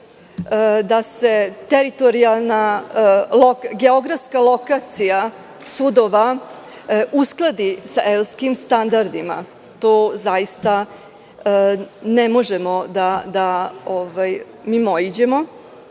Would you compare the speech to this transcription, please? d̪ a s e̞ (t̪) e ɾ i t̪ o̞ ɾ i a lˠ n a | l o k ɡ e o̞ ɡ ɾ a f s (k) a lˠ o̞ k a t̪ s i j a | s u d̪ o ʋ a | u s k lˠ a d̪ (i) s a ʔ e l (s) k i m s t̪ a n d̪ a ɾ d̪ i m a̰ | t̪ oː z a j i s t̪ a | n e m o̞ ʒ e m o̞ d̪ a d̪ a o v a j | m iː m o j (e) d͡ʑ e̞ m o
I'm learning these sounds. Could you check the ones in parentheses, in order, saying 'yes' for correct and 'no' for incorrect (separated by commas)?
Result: yes, yes, yes, yes, no